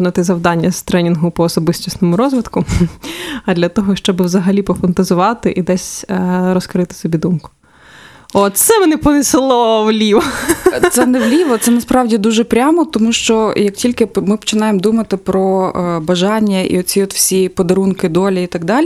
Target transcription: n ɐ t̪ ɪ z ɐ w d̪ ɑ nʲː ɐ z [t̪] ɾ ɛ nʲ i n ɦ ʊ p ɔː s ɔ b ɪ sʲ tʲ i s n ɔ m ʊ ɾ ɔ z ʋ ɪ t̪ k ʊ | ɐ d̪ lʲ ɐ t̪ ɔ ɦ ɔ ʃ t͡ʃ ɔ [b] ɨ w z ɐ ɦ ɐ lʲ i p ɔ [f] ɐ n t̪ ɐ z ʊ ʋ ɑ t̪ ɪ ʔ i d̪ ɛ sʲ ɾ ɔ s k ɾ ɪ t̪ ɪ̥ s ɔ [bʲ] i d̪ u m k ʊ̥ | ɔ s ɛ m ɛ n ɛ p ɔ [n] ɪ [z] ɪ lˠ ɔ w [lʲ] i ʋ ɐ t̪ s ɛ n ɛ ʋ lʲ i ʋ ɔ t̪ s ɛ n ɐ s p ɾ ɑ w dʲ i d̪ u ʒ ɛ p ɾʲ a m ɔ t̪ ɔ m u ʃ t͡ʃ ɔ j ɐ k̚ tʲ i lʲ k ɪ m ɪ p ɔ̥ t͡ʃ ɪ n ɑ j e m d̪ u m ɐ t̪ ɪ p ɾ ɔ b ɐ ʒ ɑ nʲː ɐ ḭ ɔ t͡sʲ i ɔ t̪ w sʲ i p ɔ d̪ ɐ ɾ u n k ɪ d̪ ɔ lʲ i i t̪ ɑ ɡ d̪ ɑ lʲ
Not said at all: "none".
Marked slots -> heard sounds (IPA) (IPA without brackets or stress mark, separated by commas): t̪, b, f, bʲ, n, s, lʲ